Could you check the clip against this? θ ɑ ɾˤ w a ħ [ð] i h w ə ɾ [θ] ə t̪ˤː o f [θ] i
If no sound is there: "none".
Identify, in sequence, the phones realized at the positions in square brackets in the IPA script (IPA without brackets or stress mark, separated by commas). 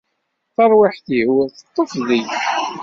θ, θ, ð